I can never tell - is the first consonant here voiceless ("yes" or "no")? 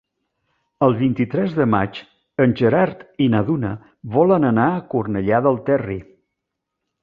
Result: no